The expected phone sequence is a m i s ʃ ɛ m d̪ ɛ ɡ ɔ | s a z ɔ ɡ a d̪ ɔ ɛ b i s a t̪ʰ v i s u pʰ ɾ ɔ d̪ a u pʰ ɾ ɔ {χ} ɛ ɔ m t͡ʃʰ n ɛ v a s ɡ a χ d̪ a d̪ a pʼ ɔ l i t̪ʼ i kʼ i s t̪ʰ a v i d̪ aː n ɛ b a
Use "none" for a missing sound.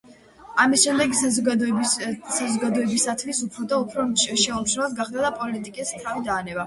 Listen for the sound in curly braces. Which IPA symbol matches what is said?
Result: ʃ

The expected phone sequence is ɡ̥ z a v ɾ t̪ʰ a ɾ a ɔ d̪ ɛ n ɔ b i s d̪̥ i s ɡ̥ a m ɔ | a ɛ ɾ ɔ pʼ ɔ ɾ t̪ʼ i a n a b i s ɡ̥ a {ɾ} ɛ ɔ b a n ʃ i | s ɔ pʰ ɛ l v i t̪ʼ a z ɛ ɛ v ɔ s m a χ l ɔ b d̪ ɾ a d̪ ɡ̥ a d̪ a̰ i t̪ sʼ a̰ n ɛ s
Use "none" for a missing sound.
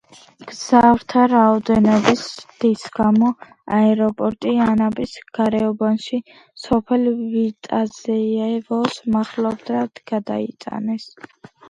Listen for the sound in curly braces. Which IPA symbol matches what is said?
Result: ɾ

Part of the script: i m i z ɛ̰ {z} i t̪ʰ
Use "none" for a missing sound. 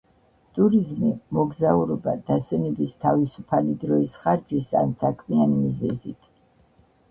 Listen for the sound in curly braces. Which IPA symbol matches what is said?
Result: z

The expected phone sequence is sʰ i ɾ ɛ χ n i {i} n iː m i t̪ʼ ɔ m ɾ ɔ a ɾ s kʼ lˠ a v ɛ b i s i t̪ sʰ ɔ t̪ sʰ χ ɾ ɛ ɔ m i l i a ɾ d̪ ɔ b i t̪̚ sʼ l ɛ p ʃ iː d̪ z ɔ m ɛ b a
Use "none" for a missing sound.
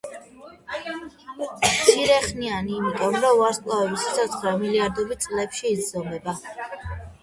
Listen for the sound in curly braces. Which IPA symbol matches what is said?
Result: a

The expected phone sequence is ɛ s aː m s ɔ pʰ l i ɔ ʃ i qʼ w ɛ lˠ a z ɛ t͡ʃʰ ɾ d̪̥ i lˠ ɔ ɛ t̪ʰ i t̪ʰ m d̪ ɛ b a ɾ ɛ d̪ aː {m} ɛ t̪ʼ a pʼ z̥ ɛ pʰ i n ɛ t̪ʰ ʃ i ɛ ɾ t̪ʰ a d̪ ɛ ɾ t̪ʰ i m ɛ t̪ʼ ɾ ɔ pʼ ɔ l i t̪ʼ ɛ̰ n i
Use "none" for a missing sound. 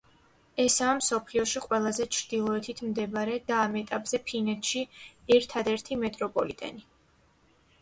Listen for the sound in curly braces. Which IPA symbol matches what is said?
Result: m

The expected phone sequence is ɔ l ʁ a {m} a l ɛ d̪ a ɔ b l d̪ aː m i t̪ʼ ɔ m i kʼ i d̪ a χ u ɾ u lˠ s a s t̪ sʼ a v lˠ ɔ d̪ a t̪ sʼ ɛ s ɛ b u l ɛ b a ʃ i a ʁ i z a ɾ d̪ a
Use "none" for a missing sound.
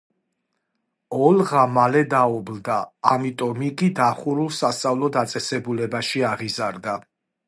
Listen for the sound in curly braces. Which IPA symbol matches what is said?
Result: m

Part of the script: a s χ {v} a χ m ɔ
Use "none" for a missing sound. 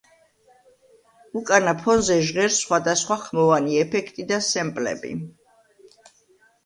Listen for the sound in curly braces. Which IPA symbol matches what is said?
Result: w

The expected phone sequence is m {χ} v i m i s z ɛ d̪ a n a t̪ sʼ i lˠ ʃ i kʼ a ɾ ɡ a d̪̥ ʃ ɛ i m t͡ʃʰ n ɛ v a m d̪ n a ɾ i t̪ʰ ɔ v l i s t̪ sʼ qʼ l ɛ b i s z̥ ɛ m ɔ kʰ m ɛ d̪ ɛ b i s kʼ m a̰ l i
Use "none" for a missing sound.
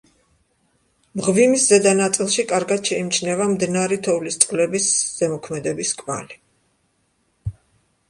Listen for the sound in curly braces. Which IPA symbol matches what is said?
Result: ʁ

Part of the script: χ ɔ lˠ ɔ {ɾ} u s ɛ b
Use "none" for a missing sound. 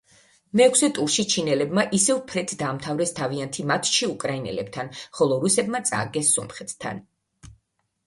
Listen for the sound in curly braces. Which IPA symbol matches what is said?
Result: ɾ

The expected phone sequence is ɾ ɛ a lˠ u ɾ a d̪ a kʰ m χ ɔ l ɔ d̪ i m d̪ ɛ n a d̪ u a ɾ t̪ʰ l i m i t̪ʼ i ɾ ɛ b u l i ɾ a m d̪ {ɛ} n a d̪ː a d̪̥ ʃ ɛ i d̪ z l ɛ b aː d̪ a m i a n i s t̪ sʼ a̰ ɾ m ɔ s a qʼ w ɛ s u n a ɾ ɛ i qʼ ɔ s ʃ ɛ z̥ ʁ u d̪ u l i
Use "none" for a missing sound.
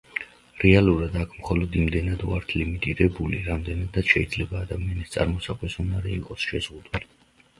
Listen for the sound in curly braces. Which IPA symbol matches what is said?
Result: ɛ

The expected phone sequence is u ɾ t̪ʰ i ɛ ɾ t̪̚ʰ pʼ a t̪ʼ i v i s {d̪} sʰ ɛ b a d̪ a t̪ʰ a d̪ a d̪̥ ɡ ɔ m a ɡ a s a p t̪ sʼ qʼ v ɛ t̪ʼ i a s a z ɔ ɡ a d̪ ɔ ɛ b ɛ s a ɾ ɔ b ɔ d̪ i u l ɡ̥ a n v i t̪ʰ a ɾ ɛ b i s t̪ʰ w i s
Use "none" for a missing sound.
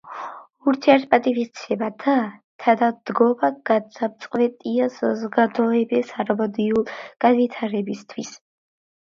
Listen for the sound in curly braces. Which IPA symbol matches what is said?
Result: t̪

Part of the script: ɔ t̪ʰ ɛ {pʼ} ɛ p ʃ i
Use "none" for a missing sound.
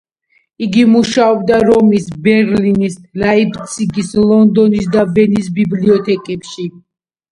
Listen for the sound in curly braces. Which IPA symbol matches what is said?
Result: kʼ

